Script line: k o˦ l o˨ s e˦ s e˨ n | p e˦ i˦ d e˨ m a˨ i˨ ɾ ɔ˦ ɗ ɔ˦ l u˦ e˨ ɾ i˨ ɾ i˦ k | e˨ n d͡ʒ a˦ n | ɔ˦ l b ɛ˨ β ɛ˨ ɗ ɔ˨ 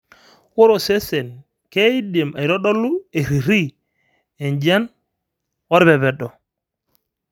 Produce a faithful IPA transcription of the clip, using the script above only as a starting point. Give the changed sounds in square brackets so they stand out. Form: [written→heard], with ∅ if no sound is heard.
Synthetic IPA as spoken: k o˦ [l→ɾ] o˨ s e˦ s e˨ n | [p→k] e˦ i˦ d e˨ m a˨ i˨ ɾ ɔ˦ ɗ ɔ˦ l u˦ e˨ ɾ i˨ ɾ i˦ [k→∅] | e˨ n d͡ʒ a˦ n | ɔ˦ [l→ɾ] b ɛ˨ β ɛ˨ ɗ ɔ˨